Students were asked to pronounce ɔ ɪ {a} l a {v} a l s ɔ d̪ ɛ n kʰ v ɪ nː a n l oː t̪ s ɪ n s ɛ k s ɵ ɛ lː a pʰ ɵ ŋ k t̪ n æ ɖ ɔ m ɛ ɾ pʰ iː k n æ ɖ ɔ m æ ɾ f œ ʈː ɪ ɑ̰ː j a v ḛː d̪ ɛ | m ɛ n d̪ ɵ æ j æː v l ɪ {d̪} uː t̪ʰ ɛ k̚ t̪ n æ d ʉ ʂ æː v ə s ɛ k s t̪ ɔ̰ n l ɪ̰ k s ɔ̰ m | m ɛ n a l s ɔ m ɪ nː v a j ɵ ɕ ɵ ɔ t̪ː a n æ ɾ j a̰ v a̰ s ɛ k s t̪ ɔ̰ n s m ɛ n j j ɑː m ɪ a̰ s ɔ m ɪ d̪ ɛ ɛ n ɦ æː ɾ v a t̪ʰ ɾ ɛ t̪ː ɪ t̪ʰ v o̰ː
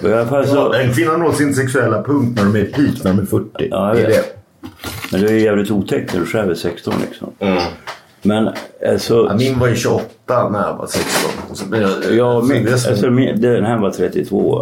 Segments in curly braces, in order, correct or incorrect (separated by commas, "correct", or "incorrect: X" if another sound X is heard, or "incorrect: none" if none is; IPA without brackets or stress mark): correct, incorrect: f, incorrect: t̪